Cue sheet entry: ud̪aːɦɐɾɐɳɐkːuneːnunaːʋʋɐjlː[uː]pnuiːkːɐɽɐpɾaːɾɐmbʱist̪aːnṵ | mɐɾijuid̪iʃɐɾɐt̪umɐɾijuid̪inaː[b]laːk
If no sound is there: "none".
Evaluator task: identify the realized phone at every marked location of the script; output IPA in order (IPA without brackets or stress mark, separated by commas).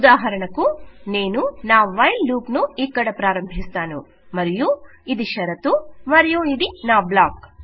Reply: uː, b